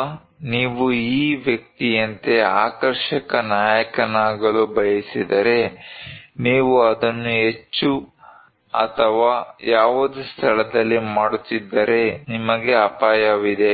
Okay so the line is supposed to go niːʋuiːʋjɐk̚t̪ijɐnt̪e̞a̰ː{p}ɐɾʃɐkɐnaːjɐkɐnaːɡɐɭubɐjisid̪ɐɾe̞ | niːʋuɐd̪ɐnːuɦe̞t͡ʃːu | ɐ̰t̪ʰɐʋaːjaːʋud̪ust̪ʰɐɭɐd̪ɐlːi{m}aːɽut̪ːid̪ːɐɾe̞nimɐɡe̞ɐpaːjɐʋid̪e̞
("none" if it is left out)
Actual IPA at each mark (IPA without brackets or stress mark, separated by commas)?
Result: k, m